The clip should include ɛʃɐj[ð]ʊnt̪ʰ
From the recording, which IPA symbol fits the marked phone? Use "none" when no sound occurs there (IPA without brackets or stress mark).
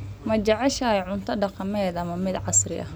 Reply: ʕ